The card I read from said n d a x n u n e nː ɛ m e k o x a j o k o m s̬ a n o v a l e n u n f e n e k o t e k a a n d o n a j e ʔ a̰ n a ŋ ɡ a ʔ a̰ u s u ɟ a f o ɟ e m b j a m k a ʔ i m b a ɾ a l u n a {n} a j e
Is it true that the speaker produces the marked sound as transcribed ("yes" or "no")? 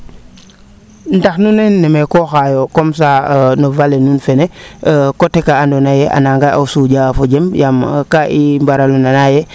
yes